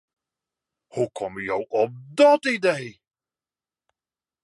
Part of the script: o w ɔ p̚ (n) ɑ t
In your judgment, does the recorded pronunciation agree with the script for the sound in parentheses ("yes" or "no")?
no